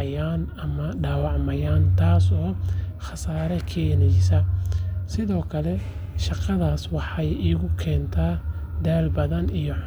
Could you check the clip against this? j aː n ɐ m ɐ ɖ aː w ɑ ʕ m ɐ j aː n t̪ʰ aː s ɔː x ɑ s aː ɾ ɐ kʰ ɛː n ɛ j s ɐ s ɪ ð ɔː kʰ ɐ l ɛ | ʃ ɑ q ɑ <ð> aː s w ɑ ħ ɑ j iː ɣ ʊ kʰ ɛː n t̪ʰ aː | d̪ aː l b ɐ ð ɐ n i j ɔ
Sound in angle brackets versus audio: correct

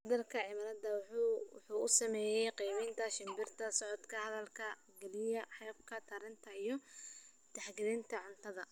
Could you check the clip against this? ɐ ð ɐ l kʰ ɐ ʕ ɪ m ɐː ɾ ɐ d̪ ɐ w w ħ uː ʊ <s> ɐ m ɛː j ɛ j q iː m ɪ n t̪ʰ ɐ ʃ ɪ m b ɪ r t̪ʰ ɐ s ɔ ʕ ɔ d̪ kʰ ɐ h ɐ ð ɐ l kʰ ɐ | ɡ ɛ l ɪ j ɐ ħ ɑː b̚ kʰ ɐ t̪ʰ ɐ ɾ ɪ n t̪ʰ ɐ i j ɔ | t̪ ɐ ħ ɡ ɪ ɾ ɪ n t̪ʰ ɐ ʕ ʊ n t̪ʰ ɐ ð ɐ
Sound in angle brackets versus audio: correct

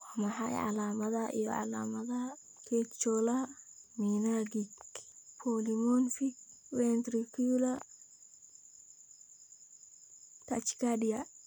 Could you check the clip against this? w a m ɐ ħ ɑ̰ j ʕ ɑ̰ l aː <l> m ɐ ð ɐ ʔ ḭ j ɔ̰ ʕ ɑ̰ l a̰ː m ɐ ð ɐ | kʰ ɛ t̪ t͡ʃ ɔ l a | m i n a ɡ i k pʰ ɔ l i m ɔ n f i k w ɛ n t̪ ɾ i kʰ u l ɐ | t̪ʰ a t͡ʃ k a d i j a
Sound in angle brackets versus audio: incorrect: none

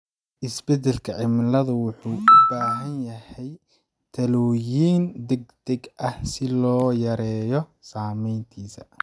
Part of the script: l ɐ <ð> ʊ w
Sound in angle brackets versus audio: correct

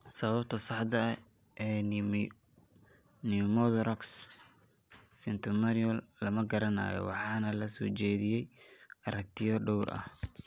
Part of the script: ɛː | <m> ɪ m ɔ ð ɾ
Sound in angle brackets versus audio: incorrect: n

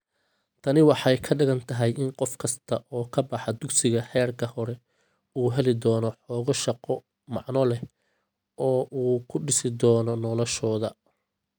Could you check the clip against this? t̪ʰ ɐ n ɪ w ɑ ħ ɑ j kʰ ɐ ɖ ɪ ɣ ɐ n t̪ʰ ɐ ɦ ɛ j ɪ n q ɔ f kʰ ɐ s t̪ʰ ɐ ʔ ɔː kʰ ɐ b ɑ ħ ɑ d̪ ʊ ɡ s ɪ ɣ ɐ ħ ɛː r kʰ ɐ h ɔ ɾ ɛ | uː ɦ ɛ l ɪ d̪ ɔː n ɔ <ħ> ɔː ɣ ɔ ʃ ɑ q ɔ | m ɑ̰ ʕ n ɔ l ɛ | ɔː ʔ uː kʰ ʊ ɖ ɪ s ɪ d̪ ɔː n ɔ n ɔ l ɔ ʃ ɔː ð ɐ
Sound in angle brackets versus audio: correct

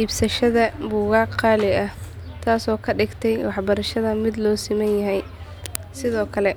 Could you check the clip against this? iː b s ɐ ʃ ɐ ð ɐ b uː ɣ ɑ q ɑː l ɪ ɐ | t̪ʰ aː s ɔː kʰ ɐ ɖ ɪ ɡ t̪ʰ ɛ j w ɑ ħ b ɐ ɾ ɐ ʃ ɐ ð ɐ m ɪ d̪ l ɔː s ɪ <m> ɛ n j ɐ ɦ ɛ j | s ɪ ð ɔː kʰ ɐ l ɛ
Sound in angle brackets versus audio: correct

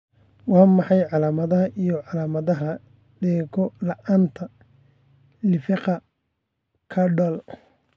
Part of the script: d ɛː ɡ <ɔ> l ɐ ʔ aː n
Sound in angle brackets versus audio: correct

